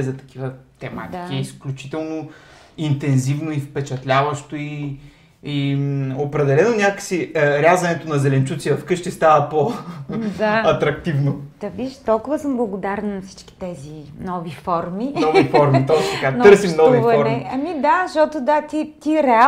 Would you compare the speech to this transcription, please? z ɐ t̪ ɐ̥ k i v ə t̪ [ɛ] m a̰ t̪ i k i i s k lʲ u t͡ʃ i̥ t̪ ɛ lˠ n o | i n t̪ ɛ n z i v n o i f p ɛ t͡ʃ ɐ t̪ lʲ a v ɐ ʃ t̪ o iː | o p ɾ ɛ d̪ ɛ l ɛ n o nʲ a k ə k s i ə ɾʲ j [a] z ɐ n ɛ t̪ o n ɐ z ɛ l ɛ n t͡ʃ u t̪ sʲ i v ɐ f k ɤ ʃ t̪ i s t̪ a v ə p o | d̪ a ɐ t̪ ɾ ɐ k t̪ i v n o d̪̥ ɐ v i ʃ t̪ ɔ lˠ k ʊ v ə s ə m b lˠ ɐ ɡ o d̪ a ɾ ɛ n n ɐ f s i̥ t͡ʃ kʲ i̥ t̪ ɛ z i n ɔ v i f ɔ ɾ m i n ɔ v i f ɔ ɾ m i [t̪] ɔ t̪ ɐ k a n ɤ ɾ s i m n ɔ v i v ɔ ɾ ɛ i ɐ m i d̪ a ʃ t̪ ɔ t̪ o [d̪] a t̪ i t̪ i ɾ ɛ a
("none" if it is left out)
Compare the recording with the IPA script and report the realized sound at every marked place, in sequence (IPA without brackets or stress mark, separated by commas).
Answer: ɛ, a, t̪, d̪